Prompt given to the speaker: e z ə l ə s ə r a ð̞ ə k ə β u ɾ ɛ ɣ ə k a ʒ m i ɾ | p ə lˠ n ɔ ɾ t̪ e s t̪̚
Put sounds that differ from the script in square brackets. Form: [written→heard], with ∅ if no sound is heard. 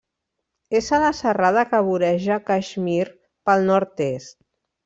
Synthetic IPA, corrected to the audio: e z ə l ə s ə r a ð̞ ə k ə β u ɾ ɛ [ɣ→ʒ] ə k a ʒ m i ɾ | p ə lˠ n ɔ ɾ t̪ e s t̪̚